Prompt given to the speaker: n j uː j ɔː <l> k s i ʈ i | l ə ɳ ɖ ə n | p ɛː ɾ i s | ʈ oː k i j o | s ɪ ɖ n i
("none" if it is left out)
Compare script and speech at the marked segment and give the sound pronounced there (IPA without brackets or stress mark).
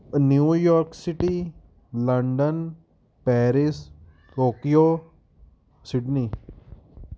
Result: ɾ